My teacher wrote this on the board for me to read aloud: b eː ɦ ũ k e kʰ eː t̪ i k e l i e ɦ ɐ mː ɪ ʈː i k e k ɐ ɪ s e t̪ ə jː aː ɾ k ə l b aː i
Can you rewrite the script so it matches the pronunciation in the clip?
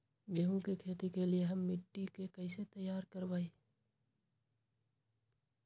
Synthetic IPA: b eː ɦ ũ k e kʰ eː t̪ i k e l i e ɦ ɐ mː ɪ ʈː i k e k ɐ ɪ s e t̪ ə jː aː ɾ k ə ɾ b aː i